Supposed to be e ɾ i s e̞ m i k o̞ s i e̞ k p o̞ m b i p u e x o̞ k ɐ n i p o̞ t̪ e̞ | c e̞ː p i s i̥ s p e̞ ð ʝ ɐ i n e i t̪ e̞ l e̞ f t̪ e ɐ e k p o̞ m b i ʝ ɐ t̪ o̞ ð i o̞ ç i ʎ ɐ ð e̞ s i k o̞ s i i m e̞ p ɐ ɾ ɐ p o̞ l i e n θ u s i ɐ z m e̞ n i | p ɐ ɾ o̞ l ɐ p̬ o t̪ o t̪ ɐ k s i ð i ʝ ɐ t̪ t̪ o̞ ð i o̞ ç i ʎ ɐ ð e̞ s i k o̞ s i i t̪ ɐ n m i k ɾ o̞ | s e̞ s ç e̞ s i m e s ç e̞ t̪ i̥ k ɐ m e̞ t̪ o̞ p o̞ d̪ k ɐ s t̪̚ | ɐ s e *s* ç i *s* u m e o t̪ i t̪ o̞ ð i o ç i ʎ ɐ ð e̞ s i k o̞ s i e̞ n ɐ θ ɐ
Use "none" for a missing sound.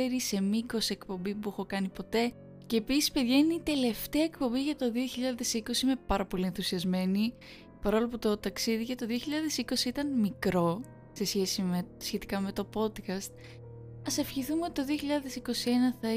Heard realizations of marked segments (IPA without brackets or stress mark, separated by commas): f, θ